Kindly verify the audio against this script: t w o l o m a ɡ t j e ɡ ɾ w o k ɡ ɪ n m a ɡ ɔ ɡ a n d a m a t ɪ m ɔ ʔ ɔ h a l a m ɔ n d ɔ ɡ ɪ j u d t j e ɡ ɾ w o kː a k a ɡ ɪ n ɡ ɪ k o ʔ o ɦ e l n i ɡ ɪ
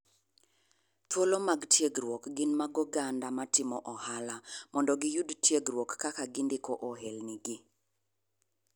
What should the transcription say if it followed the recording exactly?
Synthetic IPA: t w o l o m a ɡ t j e ɡ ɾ w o k ɡ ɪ n m a ɡ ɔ ɡ a n d a m a t ɪ m ɔ ʔ ɔ h a l a m ɔ n d ɔ ɡ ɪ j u d t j e ɡ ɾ w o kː a k a ɡ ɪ n d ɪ k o ʔ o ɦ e l n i ɡ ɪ